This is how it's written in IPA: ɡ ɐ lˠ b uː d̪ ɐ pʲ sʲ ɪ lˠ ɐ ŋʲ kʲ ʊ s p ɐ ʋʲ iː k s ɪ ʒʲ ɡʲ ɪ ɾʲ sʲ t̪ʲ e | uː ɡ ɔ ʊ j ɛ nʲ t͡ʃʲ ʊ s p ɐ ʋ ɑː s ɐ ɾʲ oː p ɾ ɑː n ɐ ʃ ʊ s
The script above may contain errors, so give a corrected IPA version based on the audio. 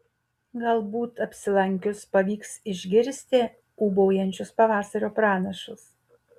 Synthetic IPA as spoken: ɡ ɐ lˠ b uː t̪ ɐ pʲ sʲ ɪ lˠ ɐ ŋʲ kʲ ʊ s p ɐ ʋʲ iː k s ɪ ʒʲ ɡʲ ɪ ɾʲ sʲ t̪ʲ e | uː b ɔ ʊ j ɛ nʲ t͡ʃʲ ʊ s p ɐ ʋ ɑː s ɐ ɾʲ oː p ɾ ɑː n ɐ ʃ ʊ s

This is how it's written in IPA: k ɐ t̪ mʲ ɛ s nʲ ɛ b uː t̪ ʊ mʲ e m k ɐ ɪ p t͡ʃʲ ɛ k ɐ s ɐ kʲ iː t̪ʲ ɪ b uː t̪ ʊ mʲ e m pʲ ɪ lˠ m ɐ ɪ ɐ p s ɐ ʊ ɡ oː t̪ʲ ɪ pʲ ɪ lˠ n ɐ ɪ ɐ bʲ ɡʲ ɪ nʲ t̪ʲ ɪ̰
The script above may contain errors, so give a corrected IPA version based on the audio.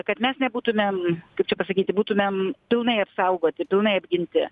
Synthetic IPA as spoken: k ɐ t̪ mʲ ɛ s nʲ ɛ b uː t̪ ʊ mʲ e m k ɐ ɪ p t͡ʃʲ ɛ p ɐ s ɐ kʲ iː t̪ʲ ɪ b uː t̪ ʊ mʲ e m pʲ ɪ lˠ n ɐ ɪ ɐ p s ɐ ʊ ɡ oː t̪ʲ ɪ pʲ ɪ lˠ n ɐ ɪ ɐ bʲ ɡʲ ɪ nʲ t̪ʲ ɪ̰

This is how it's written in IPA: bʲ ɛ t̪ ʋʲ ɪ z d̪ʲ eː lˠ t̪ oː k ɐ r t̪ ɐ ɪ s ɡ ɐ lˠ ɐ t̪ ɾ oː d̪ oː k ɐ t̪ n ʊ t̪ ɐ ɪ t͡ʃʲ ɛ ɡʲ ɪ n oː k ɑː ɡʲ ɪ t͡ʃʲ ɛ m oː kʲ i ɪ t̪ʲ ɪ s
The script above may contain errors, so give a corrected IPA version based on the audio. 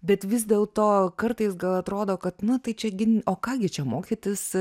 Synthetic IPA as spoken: bʲ ɛ t̪ ʋʲ ɪ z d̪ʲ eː lˠ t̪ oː k ɐ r t̪ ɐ ɪ s ɡ ɐ lˠ ɐ t̪ ɾ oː d̪ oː k ɐ t̪ n ʊ t̪ ɐ ɪ t͡ʃʲ ɛ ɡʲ ɪ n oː k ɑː ɡʲ ɪ t͡ʃʲ ɛ m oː kʲ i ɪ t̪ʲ ɪ s

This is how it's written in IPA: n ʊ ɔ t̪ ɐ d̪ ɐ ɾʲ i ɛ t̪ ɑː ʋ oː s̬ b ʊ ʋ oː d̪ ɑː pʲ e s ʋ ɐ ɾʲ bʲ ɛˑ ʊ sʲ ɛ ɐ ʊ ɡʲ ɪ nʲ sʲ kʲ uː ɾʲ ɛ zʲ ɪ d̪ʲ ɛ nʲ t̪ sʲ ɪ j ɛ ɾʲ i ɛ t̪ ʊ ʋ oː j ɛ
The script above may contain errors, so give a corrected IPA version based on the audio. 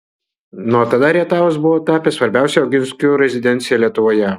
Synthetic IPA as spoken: n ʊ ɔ t̪ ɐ d̪ ɐ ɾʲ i ɛ t̪ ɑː ʋ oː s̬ b ʊ ʋ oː t̪ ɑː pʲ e s ʋ ɐ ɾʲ bʲ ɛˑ ʊ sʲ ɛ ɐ ʊ ɡʲ ɪ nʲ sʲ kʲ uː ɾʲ ɛ zʲ ɪ d̪ʲ ɛ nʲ t̪ sʲ ɪ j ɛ lʲ i ɛ t̪ ʊ ʋ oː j ɛ

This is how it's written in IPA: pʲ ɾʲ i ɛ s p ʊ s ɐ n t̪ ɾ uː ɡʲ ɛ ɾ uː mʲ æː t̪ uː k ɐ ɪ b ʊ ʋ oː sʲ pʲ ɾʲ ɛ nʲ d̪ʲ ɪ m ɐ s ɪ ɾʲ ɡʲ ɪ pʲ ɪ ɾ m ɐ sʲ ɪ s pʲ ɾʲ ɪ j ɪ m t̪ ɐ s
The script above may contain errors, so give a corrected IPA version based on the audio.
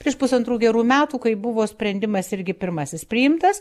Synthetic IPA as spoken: pʲ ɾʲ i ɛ ʃ p ʊ s ɐ n t̪ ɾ uː ɡʲ ɛ ɾ uː mʲ æː t̪ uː k ɐ ɪ b ʊ ʋ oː sʲ pʲ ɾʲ ɛ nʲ d̪ʲ ɪ m ɐ s ɪ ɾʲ ɡʲ ɪ pʲ ɪ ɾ m ɐ sʲ ɪ s pʲ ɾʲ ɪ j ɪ m t̪ ɐ s

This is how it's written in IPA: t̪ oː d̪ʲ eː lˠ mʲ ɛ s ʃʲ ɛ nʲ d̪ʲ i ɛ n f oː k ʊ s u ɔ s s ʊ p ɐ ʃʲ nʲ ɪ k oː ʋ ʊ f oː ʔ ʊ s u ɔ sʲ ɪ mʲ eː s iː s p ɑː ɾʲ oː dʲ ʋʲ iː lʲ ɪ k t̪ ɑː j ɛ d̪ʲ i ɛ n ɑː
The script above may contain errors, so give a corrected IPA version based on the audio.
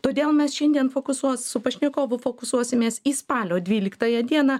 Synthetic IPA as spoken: t̪ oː d̪ʲ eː lˠ mʲ ɛ s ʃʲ ɛ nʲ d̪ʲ i ɛ n f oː k ʊ s u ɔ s s ʊ p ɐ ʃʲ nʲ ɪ k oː ʋ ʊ f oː k ʊ s u ɔ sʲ ɪ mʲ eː s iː s p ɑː lʲ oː dʲ ʋʲ iː lʲ ɪ k t̪ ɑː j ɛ d̪ʲ i ɛ n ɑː

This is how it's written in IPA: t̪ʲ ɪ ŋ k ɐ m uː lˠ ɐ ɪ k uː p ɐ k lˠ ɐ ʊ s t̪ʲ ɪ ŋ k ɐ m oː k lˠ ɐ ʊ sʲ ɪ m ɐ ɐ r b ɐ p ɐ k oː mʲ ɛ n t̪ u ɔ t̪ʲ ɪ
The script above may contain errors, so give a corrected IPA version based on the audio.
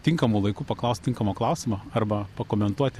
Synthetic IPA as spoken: t̪ʲ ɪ ŋ k ɐ m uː lˠ ɐ ɪ k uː p ɐ k lˠ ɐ ʊ s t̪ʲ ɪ ŋ k ɐ m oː k lˠ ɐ ʊ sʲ ɪ m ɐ ɐ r b ɐ p ɐ k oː mʲ ɛ n t̪ u ɔ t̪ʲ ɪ

